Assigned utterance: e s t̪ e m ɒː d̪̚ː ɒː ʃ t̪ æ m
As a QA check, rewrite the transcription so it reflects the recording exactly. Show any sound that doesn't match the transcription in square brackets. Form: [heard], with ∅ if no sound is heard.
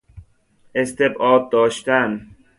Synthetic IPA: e s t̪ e [b] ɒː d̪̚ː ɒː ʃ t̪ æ [n]

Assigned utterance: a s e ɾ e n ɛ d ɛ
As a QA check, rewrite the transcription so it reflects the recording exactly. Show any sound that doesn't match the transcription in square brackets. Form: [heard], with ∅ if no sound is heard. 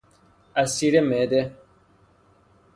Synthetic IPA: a s [i] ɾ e [m] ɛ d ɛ

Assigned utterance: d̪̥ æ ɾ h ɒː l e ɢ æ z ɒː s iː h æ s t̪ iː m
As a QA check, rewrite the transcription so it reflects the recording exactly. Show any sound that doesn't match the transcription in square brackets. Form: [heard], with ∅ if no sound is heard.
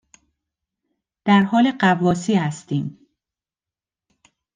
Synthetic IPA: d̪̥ æ ɾ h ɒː l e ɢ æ [v] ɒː s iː h æ s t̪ iː m

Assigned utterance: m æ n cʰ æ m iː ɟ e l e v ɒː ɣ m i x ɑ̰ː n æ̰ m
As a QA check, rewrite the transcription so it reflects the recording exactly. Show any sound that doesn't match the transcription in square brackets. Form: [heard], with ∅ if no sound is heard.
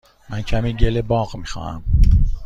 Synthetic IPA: m æ n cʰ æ m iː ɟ e l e [b] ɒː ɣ m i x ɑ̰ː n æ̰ m

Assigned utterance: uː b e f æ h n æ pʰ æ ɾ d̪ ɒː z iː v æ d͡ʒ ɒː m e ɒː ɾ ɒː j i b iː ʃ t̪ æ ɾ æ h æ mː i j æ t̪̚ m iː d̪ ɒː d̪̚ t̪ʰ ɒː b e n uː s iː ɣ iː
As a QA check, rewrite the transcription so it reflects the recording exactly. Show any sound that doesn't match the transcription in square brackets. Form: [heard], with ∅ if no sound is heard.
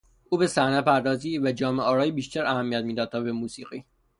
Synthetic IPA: uː b e [s] æ h n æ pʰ æ ɾ d̪ ɒː z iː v æ d͡ʒ ɒː m e ɒː ɾ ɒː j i b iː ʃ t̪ æ ɾ æ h æ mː i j æ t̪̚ m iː d̪ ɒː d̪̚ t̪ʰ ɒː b e [m] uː s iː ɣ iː

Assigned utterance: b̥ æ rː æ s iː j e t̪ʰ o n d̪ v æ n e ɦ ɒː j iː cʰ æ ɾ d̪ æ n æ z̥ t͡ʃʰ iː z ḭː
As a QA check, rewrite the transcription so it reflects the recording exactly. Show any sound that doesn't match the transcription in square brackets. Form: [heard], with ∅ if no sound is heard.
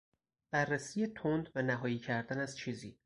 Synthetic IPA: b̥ æ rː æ s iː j e t̪ʰ o n d̪ v æ n [æ] ɦ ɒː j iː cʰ æ ɾ d̪ æ n æ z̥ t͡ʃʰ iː z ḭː

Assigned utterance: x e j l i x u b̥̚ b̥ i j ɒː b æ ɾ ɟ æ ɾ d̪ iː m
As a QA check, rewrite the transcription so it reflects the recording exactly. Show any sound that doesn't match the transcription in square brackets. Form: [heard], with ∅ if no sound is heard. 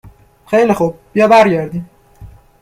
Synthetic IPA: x e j l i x u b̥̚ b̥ i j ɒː b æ ɾ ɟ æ ɾ d̪ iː m

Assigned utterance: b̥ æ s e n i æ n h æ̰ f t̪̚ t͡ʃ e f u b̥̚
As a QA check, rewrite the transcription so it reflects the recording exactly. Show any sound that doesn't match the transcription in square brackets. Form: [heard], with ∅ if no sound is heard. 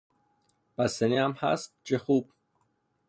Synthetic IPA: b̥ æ s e n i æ [m] h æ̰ [s] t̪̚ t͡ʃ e [x] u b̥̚

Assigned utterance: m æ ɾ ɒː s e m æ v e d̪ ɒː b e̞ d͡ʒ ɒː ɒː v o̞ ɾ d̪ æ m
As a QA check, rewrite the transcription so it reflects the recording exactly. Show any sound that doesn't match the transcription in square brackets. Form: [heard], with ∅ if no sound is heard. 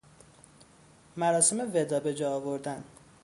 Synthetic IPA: m æ ɾ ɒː s e m [e] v e d̪ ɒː b e̞ d͡ʒ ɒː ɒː v o̞ ɾ d̪ æ [n]

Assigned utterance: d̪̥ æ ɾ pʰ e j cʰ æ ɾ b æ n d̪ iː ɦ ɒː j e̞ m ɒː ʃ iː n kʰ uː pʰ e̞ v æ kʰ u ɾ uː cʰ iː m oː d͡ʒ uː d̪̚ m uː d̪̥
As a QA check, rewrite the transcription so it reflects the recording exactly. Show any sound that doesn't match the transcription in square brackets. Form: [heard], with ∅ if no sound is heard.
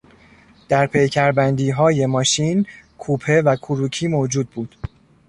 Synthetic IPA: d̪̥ æ ɾ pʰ e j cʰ æ ɾ b æ n d̪ iː ɦ ɒː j e̞ m ɒː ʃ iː n kʰ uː pʰ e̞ v æ kʰ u ɾ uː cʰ iː m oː d͡ʒ uː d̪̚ [b] uː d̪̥

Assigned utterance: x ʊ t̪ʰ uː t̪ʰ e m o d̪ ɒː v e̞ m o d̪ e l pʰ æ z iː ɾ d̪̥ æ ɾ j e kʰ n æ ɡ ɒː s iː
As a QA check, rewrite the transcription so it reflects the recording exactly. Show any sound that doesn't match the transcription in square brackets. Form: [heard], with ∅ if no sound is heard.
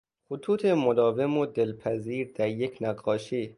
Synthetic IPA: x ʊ t̪ʰ uː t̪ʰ e m o d̪ ɒː v e̞ m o d̪ e l pʰ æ z iː ɾ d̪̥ æ ɾ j e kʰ n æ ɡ ɒː [ʃ] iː

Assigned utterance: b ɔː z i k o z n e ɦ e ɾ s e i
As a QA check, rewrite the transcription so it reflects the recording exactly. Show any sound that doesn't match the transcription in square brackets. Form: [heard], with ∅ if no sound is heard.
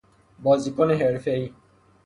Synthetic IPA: b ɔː z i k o [∅] n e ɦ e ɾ [f] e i

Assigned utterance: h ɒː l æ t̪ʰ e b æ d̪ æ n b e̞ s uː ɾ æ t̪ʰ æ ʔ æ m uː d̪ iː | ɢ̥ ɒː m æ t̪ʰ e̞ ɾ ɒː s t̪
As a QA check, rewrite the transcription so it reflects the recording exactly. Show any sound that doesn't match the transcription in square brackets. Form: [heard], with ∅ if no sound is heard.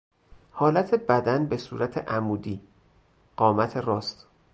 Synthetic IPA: h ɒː l æ t̪ʰ e b æ d̪ æ n b e̞ s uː ɾ æ t̪ʰ [e] ʔ æ m uː d̪ iː | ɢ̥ ɒː m æ t̪ʰ e̞ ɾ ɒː s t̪

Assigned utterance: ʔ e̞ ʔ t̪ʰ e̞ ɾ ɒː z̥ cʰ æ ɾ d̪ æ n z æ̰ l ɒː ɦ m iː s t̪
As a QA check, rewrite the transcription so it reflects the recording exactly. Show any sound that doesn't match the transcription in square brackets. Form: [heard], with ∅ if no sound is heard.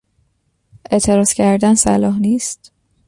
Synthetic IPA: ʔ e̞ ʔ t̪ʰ e̞ ɾ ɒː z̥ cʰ æ ɾ d̪ æ n [s] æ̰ l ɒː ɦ [n] iː s t̪

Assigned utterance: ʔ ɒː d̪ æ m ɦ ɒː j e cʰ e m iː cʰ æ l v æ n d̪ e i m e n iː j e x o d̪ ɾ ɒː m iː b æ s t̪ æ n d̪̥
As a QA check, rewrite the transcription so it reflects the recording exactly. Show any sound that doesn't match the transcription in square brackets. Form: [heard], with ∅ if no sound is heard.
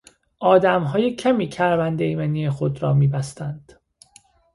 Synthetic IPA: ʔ ɒː d̪ æ m ɦ ɒː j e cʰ [æ] m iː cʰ æ [ɾ] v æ n d̪ e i m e n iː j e x o d̪ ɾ ɒː m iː b æ s t̪ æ n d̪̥

